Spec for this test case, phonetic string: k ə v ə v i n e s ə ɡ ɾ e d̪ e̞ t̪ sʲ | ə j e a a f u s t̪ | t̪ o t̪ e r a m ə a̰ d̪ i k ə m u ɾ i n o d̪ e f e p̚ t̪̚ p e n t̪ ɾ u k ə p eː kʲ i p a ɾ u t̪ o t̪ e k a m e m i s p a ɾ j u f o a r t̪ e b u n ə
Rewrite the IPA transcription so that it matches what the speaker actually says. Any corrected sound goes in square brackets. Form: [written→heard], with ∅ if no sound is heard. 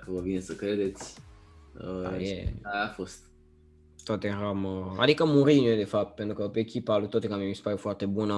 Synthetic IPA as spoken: k ə v ə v i n e s ə [ɡ→k] ɾ e d̪ e̞ t̪ sʲ | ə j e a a f [u→o] s t̪ | t̪ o t̪ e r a m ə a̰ d̪ i k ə m u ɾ i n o d̪ e f [e→a] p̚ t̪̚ p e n t̪ ɾ u k ə p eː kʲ i p a [ɾ→l] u t̪ o t̪ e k a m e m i s p a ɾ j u f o a r t̪ e b u n ə